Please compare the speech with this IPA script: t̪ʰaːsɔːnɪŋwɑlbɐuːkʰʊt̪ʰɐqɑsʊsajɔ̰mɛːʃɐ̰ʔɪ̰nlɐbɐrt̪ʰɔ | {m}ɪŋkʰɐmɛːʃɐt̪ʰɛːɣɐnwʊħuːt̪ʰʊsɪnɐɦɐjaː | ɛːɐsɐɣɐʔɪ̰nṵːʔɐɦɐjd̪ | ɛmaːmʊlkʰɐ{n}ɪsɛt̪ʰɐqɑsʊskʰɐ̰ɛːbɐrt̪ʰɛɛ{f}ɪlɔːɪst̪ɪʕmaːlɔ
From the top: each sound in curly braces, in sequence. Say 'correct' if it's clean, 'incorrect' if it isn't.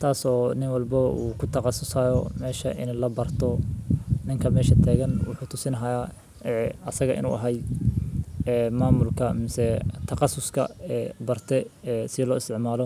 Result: incorrect: n, incorrect: m, incorrect: s

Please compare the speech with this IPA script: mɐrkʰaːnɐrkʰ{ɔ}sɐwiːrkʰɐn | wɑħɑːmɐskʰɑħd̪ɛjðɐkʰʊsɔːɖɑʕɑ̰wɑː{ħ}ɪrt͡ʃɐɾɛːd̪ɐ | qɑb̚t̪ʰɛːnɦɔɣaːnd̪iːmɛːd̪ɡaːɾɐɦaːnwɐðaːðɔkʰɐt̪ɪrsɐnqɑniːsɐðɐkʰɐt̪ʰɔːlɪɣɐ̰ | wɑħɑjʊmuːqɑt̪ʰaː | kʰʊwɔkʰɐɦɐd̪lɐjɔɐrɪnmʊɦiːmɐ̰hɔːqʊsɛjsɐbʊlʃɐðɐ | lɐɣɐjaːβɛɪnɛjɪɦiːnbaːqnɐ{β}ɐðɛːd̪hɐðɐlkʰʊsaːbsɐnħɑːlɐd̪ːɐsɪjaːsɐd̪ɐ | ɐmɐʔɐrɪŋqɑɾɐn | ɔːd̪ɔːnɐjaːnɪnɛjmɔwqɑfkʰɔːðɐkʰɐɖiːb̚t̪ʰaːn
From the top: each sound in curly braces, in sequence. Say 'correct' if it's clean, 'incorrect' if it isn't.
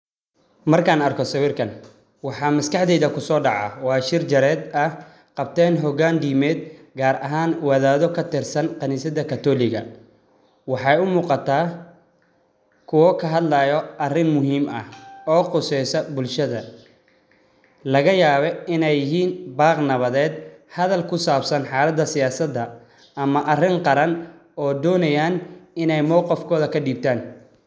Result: correct, incorrect: ʃ, correct

